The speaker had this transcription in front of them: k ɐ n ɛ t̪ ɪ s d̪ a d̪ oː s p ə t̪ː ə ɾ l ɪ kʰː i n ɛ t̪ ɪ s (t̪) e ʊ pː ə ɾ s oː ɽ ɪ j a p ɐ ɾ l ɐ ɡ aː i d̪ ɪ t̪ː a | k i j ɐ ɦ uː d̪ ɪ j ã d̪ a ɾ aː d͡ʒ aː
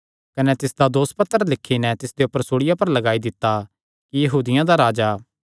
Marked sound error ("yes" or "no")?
yes